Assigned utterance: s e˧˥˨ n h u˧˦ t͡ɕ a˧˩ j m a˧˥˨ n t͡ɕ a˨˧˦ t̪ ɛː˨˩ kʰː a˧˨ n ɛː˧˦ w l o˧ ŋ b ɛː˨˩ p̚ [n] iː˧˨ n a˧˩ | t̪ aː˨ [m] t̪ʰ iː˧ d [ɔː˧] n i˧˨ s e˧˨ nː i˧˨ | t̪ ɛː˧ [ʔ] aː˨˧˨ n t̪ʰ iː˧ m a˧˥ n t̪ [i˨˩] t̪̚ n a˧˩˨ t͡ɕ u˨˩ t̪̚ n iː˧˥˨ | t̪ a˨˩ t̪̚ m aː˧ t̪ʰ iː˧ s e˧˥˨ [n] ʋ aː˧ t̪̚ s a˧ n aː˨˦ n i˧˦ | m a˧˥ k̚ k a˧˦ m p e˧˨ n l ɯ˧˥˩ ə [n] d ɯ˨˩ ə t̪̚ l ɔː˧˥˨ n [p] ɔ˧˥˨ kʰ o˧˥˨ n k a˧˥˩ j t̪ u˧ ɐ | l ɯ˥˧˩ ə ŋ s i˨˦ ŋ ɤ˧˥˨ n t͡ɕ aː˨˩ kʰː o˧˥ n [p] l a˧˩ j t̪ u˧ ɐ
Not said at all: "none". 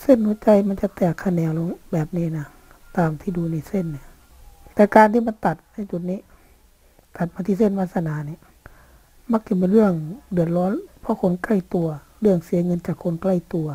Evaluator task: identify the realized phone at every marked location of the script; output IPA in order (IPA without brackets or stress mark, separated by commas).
n, m, uː˧, k, a˨˩, n, ŋ, pʰ, k